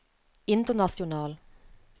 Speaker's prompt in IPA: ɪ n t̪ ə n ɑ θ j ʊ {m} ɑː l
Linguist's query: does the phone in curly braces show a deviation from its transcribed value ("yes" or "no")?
yes